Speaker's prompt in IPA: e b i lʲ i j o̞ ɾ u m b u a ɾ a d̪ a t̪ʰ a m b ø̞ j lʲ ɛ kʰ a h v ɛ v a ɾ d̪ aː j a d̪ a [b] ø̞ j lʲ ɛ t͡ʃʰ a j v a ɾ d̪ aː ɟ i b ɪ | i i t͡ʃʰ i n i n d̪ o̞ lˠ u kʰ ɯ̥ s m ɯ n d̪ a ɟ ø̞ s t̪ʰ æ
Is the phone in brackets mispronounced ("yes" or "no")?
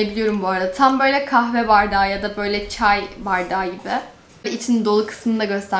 no